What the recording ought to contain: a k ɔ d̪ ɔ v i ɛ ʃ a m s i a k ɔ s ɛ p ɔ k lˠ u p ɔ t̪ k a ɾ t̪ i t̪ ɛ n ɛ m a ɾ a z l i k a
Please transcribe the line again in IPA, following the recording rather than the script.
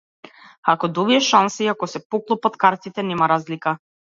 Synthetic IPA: a k ɔ d̪ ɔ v i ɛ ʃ a n s i a k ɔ s ɛ p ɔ k lˠ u p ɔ t̪ k a ɾ t̪ i t̪ ɛ n ɛ m a ɾ a z l i k a